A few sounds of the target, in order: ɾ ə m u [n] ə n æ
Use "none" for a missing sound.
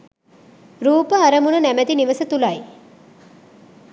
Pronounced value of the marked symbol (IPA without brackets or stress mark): n